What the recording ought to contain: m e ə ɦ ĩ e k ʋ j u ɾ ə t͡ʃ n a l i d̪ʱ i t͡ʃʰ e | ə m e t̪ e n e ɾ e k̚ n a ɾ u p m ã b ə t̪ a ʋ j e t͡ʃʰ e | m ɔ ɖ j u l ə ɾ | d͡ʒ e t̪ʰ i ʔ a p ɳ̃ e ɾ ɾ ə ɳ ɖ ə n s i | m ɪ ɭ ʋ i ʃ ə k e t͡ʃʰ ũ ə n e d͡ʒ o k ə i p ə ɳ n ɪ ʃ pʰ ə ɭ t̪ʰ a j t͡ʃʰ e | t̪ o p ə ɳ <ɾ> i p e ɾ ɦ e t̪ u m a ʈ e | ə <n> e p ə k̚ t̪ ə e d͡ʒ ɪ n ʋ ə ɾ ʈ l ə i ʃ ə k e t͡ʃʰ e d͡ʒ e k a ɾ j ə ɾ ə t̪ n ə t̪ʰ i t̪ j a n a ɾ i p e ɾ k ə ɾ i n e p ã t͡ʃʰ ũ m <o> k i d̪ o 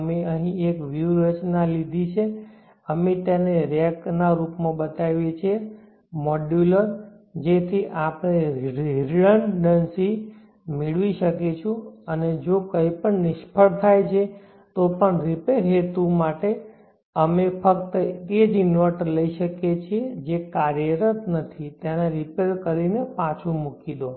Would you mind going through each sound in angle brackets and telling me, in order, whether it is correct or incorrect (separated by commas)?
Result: correct, incorrect, incorrect